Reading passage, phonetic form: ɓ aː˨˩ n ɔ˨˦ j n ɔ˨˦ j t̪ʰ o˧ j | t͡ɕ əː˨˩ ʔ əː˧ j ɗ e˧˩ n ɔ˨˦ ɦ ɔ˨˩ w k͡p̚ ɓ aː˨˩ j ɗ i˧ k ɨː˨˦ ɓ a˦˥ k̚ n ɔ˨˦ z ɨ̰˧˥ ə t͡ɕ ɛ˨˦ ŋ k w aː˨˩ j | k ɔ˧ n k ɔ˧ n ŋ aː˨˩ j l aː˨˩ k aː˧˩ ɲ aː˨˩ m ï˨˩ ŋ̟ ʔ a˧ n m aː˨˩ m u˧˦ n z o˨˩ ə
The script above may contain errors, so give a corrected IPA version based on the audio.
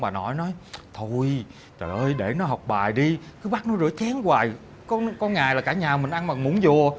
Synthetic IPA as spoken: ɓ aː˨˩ n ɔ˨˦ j n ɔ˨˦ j t̪ʰ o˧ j | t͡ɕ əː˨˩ ʔ əː˧ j ɗ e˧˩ n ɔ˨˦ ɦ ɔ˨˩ w k͡p̚ ɓ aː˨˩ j ɗ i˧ k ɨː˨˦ ɓ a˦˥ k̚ n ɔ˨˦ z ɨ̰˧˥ ə t͡ɕ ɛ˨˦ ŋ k w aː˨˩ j | k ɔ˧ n k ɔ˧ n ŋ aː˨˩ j l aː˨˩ k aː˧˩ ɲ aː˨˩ m ï˨˩ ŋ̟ ʔ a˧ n m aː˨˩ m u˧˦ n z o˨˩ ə